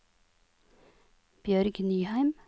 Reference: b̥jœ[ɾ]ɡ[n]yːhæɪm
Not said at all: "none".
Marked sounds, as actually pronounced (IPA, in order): ɾ, n

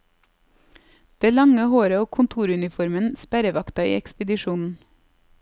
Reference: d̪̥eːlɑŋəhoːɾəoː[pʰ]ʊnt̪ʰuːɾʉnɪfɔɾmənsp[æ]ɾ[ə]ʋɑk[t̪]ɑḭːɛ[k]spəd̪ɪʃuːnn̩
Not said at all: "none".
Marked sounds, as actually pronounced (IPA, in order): kʰ, æ, ə, t̪, k

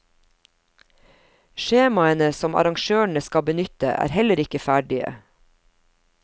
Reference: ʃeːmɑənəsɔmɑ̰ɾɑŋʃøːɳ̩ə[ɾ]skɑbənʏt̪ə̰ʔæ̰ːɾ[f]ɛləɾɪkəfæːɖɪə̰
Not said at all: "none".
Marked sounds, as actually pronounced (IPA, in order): none, h

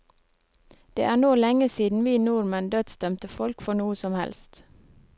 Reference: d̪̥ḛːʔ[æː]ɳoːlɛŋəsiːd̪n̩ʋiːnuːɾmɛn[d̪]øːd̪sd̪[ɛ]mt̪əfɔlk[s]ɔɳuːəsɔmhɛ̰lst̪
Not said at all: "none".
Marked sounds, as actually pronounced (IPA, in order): æː, d̪, œ, f

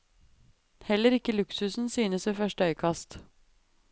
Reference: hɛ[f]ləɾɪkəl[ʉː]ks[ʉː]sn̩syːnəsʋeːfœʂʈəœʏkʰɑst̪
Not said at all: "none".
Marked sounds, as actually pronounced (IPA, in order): none, ʉ, ʉ

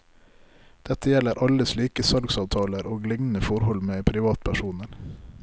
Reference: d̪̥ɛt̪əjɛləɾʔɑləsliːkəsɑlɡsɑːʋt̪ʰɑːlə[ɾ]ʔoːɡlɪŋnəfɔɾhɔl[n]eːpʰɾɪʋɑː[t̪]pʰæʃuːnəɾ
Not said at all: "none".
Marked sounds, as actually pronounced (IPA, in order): ɾ, m, t̪

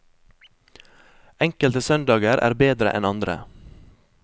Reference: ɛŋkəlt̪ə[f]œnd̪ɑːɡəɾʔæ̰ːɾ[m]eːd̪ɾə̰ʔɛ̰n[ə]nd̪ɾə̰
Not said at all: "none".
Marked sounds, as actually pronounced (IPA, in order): s, b, ɑ

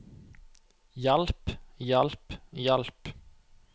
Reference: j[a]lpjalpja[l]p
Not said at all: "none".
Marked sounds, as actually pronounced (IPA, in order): a, l

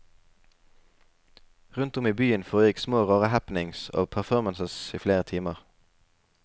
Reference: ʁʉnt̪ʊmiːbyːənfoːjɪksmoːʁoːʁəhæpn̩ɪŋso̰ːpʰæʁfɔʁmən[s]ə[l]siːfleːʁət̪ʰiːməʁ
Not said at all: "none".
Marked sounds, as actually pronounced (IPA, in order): s, none

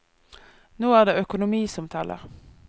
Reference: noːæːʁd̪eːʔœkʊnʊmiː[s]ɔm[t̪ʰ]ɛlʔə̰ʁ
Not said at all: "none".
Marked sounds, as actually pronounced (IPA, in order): s, t̪ʰ

